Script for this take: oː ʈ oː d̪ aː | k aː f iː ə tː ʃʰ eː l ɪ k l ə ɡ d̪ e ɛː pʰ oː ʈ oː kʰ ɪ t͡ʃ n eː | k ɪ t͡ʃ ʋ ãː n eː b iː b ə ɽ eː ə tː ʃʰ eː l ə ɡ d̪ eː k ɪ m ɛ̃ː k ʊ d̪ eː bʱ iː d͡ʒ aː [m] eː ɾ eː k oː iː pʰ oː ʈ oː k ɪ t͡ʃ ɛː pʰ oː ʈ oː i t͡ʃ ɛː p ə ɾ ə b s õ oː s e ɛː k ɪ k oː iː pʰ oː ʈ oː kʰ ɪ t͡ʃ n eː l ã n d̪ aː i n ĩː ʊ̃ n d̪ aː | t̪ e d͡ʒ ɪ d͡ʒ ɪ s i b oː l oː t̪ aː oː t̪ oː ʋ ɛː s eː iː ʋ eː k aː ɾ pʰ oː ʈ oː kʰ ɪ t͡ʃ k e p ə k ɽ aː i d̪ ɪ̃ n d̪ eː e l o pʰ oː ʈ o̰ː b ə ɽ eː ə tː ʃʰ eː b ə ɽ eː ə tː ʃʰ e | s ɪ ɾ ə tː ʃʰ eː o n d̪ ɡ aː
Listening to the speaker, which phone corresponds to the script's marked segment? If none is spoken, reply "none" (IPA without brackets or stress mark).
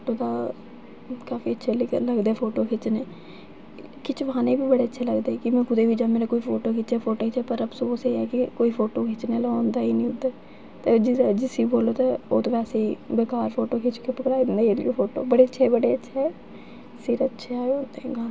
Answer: m